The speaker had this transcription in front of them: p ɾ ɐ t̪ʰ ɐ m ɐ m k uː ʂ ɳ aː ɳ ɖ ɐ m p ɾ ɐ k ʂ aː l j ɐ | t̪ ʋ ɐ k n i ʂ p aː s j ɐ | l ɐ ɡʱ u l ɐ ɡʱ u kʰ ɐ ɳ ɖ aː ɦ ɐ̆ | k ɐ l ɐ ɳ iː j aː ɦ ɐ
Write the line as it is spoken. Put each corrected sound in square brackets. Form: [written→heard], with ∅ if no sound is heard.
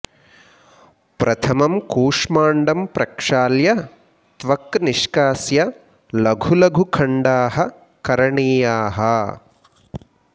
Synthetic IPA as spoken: p ɾ ɐ t̪ʰ ɐ m ɐ m k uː ʂ [ɳ→m] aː ɳ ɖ ɐ m p ɾ ɐ k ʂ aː l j ɐ | t̪ ʋ ɐ k n i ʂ [p→k] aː s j ɐ | l ɐ ɡʱ u l ɐ ɡʱ u kʰ ɐ ɳ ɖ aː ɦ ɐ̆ | k ɐ [l→ɾ] ɐ ɳ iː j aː ɦ ɐ